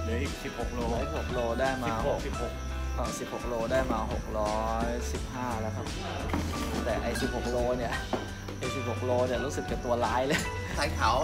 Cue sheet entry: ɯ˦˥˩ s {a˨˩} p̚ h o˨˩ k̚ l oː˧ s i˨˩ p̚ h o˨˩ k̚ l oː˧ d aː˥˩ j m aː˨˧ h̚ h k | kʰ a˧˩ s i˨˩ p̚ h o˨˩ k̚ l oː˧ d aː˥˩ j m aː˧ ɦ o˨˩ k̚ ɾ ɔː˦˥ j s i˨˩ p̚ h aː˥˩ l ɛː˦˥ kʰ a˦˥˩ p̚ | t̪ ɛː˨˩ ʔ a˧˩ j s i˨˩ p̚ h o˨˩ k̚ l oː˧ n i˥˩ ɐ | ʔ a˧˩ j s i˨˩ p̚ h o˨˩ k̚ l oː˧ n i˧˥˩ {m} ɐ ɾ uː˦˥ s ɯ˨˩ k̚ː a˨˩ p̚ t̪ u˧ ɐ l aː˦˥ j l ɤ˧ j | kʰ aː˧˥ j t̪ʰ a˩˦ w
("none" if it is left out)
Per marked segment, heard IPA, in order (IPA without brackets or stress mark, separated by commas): i˨˩, none